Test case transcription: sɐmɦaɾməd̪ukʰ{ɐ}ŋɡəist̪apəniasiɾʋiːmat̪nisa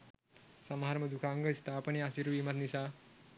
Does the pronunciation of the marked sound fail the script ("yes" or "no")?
yes